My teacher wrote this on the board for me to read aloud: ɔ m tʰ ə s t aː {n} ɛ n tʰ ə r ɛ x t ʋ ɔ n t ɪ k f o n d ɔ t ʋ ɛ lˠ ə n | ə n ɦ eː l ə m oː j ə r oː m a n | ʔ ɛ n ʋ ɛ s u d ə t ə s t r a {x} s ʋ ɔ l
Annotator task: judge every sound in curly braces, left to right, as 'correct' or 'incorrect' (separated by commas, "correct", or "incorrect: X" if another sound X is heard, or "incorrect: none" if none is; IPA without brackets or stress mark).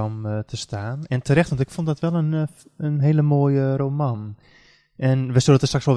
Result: correct, incorrect: k